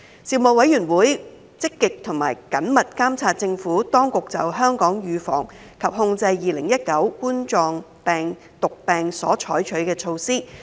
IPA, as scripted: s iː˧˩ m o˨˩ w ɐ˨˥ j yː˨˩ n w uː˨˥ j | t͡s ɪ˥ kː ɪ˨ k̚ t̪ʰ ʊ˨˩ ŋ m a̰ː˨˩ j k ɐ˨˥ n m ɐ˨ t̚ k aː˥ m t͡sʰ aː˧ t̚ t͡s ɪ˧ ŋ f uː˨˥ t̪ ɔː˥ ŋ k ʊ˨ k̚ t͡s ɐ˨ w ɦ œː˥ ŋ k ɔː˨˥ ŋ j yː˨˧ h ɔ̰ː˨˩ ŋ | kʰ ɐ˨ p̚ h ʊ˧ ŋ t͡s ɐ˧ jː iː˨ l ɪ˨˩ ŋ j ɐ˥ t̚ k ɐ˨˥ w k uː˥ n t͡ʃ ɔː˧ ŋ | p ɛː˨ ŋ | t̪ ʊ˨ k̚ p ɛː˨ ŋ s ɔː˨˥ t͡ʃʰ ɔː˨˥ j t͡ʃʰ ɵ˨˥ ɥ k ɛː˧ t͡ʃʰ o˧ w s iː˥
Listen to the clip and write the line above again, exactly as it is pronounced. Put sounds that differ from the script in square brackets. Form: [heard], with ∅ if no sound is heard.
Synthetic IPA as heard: s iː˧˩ m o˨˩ w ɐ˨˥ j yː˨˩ n w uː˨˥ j | t͡s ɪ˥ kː ɪ˨ k̚ t̪ʰ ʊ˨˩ ŋ m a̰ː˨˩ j k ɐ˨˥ n m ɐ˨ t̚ k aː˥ m t͡sʰ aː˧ t̚ t͡s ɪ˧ ŋ f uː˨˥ t̪ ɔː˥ ŋ k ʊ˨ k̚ t͡s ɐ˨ w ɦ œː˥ ŋ k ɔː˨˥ ŋ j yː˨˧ [f] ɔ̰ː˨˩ ŋ | kʰ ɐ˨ p̚ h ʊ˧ ŋ t͡s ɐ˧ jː iː˨ l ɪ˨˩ ŋ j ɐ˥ t̚ k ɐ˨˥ w k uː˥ n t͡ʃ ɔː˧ ŋ | p ɛː˨ ŋ | t̪ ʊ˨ k̚ p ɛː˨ ŋ s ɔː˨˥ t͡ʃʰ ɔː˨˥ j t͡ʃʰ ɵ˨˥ ɥ k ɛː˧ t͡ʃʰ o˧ w s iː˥

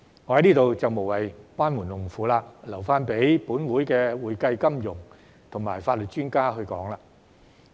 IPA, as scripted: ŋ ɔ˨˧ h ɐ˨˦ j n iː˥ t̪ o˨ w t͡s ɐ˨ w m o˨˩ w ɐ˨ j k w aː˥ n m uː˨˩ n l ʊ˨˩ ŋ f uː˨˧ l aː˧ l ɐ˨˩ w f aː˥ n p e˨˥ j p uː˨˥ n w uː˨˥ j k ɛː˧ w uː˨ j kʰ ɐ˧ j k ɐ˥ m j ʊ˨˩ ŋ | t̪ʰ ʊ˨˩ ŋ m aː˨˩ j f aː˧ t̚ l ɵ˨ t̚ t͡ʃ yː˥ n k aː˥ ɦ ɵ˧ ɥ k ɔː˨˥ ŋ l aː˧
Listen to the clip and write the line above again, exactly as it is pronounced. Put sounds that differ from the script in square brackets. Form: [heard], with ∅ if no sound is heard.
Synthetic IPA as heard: ŋ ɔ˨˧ h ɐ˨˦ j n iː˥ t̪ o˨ w t͡s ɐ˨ w m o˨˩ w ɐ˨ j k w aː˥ n m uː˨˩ n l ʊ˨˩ ŋ f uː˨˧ l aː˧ l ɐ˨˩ w f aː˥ n p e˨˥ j p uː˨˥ n w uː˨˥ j k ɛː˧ w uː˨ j [k] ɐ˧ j k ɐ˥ m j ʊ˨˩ ŋ | t̪ʰ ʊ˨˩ ŋ m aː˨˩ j f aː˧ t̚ l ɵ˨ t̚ t͡ʃ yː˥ n k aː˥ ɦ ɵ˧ ɥ k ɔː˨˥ ŋ l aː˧

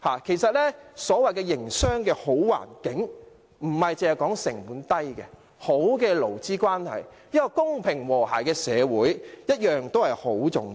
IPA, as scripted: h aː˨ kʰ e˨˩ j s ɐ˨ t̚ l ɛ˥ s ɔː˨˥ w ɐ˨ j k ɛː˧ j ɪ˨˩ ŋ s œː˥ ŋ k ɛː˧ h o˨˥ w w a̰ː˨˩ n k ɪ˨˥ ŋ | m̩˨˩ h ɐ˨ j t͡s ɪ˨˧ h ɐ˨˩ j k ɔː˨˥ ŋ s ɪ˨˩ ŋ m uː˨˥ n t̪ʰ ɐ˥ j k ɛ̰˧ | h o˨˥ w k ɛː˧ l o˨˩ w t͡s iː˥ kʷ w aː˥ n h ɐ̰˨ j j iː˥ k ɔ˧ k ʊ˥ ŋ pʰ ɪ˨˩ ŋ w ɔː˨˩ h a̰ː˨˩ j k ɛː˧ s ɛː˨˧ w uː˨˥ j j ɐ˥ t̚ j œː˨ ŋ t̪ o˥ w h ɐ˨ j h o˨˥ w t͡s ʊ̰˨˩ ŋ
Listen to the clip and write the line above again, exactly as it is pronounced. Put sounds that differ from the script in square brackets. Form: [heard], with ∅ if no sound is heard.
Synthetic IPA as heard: h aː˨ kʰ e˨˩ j s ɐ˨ t̚ l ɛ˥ s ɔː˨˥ w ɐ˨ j k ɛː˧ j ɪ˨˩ ŋ s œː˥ ŋ k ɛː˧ h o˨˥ w w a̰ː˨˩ n k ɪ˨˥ ŋ | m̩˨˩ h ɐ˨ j t͡s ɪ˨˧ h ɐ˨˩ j k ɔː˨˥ ŋ s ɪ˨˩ ŋ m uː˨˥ n [t̪] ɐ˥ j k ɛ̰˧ | h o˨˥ w k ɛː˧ l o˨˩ w t͡s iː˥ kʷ w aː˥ n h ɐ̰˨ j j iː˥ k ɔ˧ k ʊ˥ ŋ pʰ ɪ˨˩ ŋ w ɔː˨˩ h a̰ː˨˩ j k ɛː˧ s ɛː˨˧ w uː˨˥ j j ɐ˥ t̚ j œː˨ ŋ t̪ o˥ w h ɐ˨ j h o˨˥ w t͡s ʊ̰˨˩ ŋ

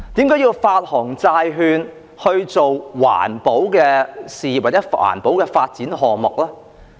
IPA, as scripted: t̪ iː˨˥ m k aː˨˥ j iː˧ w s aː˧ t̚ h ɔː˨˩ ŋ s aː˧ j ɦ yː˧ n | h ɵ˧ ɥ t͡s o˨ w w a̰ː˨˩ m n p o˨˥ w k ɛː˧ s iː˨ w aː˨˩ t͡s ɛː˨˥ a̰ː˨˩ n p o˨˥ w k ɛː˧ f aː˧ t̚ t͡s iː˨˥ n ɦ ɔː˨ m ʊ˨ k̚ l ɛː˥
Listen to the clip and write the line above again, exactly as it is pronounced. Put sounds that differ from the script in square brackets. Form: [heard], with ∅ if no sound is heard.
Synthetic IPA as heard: t̪ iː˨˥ m k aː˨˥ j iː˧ w [f] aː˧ t̚ h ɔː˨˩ ŋ [t͡s] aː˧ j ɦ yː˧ n | h ɵ˧ ɥ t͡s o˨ w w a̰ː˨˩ [∅] n p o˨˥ w k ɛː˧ s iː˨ w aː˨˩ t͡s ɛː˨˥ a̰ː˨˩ n p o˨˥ w k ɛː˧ f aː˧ t̚ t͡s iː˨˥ n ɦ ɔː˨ m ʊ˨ k̚ l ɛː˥

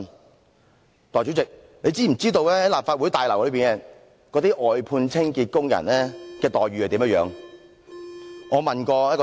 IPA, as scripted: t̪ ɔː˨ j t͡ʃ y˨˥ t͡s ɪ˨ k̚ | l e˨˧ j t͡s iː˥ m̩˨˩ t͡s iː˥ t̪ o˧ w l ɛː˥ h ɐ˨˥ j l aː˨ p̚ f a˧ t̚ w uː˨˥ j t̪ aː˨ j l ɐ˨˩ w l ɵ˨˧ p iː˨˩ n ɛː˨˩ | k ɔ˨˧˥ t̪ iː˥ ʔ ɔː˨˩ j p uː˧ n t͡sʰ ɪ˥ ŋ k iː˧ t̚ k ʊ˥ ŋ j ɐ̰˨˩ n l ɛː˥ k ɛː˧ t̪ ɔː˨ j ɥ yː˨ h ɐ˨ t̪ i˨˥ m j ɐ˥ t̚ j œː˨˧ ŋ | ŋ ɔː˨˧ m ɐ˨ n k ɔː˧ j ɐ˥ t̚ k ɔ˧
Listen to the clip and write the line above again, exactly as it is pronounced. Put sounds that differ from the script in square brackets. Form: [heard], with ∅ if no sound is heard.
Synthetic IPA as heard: t̪ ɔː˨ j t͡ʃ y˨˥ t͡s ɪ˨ k̚ | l e˨˧ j t͡s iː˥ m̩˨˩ t͡s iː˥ t̪ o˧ w l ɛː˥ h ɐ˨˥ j l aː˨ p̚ f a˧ t̚ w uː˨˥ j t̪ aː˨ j l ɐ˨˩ w l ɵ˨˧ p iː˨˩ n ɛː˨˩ | k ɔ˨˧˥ t̪ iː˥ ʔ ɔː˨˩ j [pʰ] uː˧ n t͡sʰ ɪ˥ ŋ k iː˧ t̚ k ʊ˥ ŋ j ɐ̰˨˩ n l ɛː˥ k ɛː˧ t̪ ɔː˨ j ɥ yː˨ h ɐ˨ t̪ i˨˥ m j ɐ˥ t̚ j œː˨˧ ŋ | ŋ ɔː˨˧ m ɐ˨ n k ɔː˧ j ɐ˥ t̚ k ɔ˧

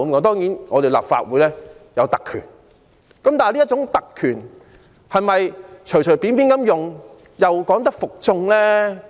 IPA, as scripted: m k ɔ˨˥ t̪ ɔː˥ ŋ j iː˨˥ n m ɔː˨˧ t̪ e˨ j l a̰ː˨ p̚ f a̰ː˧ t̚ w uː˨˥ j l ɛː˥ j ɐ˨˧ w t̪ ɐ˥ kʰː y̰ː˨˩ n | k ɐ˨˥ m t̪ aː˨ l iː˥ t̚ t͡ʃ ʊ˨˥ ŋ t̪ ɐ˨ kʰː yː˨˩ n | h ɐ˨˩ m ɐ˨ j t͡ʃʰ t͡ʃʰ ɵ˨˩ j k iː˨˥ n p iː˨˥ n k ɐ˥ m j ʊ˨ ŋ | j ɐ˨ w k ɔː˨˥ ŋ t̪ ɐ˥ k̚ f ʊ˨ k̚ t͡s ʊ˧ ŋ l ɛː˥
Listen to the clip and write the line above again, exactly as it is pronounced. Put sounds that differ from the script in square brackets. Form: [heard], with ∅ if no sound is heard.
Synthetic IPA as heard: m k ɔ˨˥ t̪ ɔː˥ ŋ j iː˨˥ n [ŋ] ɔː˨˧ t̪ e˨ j l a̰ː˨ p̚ f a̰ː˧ t̚ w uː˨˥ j l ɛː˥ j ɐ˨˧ w t̪ [ɐ˨] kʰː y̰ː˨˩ n | k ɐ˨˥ m t̪ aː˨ l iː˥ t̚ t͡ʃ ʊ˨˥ ŋ t̪ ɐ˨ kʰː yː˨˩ n | h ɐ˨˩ m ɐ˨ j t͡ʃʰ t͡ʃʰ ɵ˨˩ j [p] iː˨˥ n p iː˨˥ n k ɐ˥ m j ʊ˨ ŋ | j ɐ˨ w k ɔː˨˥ ŋ t̪ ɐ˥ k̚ f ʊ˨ k̚ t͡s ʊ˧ ŋ l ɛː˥

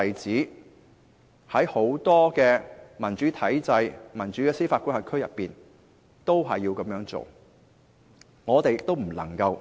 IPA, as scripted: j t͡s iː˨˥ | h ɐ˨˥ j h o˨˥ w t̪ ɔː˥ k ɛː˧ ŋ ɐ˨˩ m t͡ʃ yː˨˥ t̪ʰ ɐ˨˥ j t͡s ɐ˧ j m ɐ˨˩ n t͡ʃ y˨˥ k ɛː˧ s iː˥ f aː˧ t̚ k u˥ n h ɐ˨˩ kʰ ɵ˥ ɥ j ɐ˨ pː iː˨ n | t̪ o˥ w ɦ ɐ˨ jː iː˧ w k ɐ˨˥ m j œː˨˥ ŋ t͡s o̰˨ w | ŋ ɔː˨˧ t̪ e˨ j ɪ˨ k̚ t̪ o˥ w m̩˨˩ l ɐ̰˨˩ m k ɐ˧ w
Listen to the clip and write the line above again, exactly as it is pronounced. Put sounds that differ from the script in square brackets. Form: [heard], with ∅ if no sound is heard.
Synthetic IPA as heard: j t͡s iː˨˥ | h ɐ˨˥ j h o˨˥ w t̪ ɔː˥ k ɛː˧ [m] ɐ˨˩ [n] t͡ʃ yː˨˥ t̪ʰ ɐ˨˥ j t͡s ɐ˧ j m ɐ˨˩ n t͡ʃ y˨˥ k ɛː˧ s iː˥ f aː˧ t̚ k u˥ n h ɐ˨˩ kʰ ɵ˥ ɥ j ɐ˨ pː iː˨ n | t̪ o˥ w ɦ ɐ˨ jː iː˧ w k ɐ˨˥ m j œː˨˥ ŋ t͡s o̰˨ w | ŋ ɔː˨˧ t̪ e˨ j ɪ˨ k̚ t̪ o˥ w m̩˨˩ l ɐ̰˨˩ [ŋ] k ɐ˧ w

